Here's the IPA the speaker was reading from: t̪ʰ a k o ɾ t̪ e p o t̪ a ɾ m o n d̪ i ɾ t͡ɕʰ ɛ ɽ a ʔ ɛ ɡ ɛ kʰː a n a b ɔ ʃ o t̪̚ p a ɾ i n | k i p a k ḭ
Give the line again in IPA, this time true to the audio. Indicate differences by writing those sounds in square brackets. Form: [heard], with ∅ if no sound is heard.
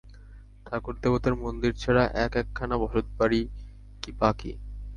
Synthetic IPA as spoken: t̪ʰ a k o ɾ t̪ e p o t̪ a ɾ m o n d̪ i ɾ t͡ɕʰ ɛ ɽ a ʔ ɛ [k] ɛ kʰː a n a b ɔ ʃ o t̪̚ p a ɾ i [∅] | k i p a k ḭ